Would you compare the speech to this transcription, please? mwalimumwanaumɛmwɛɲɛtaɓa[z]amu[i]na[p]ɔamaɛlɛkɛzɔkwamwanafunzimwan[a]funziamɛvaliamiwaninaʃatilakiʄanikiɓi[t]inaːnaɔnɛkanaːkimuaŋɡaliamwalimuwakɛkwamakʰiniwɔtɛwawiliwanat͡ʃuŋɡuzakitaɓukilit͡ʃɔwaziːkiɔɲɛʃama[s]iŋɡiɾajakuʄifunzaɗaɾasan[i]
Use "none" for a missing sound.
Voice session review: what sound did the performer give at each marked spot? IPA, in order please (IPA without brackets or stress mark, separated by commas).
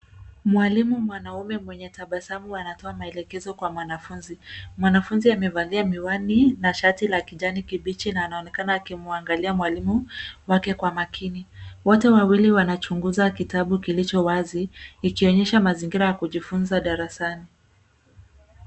s, a, t, a, t͡ʃ, z, i